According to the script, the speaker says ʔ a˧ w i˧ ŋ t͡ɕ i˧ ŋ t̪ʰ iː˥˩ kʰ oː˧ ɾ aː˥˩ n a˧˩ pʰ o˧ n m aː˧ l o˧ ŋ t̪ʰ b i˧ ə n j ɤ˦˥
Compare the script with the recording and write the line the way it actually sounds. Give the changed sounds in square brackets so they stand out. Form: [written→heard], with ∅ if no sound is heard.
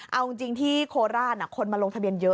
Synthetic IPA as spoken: ʔ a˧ w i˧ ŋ t͡ɕ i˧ ŋ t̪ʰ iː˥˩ kʰ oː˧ ɾ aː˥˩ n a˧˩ [pʰ→kʰ] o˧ n m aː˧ l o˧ ŋ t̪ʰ b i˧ ə n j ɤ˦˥